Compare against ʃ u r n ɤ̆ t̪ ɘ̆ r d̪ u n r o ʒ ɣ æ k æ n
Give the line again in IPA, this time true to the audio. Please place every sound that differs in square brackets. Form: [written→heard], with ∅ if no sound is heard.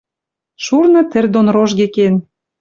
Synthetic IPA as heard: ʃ u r n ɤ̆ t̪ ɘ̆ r d̪ [u→o] n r o ʒ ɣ [æ→e] k [æ→e] n